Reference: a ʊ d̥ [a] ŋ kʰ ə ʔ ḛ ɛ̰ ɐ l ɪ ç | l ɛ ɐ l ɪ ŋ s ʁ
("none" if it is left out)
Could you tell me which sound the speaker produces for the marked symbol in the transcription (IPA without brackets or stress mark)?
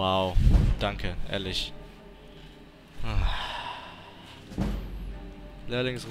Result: a